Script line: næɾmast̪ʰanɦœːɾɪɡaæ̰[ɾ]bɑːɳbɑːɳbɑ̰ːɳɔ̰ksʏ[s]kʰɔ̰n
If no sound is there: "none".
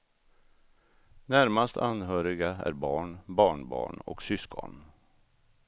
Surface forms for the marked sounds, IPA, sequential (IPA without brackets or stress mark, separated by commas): ɾ, s